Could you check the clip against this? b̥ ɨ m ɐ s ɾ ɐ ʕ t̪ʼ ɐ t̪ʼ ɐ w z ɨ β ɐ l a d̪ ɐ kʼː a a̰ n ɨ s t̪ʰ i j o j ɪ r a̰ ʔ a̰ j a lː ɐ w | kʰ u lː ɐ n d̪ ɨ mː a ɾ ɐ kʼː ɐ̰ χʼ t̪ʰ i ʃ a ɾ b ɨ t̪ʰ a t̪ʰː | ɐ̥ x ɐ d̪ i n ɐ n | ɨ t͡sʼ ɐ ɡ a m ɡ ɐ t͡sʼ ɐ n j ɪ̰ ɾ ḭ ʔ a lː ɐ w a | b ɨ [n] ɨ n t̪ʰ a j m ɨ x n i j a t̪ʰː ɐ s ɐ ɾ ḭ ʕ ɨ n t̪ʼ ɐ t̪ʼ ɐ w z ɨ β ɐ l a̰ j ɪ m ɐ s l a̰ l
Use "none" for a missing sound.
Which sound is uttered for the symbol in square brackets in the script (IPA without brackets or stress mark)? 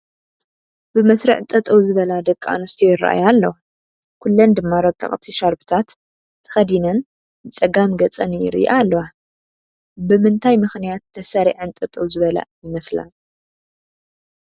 m